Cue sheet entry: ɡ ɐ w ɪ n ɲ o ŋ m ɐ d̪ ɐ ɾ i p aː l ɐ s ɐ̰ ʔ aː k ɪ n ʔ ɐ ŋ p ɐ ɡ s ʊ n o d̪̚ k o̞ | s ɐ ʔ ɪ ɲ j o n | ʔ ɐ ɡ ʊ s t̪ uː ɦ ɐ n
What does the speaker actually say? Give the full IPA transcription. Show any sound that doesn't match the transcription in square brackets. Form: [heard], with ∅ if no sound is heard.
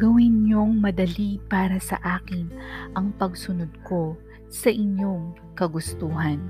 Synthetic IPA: ɡ ɐ w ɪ n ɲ o ŋ m ɐ d̪ ɐ [l] i p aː [ɾ] ɐ s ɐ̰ ʔ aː k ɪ n ʔ ɐ ŋ p ɐ ɡ s ʊ n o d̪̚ k o̞ | s ɐ ʔ ɪ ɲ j o [ŋ] | [k] ɐ ɡ ʊ s t̪ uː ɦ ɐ n